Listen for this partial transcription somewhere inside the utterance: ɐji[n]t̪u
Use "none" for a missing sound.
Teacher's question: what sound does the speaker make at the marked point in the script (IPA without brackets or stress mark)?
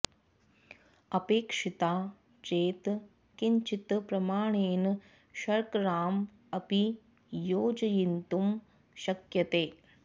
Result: n